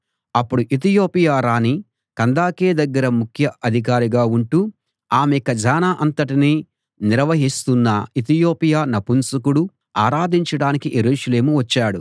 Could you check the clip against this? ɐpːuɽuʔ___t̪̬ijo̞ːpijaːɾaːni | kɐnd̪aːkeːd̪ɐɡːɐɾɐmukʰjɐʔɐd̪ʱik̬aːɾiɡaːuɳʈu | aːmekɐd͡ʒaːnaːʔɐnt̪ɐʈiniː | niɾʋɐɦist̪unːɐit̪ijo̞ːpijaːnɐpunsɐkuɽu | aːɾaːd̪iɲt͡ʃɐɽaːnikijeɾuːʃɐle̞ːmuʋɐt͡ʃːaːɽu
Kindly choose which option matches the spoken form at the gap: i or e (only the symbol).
i